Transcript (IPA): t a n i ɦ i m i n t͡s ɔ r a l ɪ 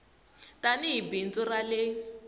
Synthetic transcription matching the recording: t a n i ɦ i b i n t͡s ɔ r a l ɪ